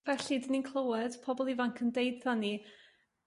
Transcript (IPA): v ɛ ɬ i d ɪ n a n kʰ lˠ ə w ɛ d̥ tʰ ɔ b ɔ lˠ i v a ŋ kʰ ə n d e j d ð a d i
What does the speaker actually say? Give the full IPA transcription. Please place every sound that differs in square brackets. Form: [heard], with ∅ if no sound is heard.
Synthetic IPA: v ɛ ɬ i d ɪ n [i] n kʰ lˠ ə w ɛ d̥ [pʰ] ɔ b ɔ lˠ i v a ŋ kʰ ə n d e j d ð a [n] i